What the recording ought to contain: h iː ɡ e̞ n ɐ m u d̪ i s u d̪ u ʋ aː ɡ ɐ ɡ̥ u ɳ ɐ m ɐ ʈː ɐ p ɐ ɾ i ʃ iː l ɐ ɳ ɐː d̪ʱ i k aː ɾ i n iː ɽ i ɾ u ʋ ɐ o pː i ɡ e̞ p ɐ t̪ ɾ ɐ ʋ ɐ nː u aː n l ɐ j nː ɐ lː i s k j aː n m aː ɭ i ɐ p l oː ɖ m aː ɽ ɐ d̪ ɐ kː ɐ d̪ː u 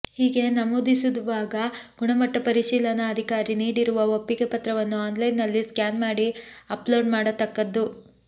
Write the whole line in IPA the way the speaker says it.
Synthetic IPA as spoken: h iː ɡ e̞ n ɐ m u d̪ i s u d̪ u ʋ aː ɡ ɐ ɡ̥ u ɳ ɐ m ɐ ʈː ɐ p ɐ ɾ i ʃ iː l ɐ n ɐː d̪ʱ i k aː ɾ i n iː ɽ i ɾ u ʋ ɐ o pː i ɡ e̞ p ɐ t̪ ɾ ɐ ʋ ɐ nː u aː n l ɐ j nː ɐ lː i s k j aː n m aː ɽ i ɐ p l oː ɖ m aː ɽ ɐ t̪ ɐ kː ɐ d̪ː u